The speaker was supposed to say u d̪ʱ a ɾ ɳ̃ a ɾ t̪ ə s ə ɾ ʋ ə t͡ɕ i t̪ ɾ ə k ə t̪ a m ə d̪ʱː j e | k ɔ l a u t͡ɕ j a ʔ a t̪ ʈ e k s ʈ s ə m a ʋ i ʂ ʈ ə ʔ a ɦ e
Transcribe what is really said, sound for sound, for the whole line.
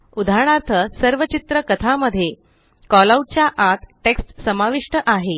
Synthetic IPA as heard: u d̪ʱ a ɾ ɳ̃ a ɾ t̪ʰ ə s ə ɾ ʋ ə t͡ɕ i t̪ ɾ ə k ə t̪ʰ a m ə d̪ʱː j e | k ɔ l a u t͡ɕ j a ʔ a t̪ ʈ e k s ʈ s ə m a ʋ i ʂ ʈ ə ʔ a ɦ e